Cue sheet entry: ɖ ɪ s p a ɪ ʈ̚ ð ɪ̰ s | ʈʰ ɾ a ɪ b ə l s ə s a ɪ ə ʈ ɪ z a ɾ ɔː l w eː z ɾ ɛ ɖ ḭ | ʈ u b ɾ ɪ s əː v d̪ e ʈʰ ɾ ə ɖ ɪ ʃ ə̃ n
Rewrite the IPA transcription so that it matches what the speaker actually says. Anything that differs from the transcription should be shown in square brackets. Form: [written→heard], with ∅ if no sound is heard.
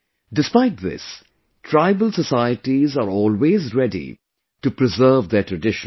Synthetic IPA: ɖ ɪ s p a ɪ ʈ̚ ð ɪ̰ s | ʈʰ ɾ a ɪ b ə l s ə s a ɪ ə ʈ [ɪ→i] z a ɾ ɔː l w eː z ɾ ɛ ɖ ḭ | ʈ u [b→p] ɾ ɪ [s→z] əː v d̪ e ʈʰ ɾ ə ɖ ɪ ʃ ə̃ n